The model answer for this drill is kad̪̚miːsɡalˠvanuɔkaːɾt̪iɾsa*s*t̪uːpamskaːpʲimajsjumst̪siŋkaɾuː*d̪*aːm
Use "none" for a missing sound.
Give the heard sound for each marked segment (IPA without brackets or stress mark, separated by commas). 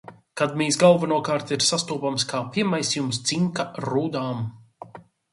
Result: s, d̪